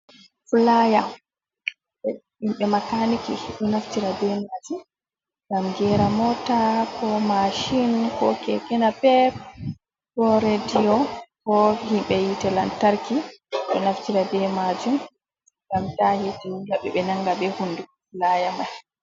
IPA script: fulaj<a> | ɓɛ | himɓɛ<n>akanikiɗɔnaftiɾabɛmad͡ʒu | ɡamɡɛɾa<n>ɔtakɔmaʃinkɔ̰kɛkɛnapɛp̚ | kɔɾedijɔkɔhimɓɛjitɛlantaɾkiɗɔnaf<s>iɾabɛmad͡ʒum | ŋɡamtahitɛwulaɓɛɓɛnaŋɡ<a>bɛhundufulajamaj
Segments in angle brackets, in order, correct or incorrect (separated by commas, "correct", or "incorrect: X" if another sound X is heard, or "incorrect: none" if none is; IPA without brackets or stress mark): correct, incorrect: m, incorrect: m, incorrect: t, correct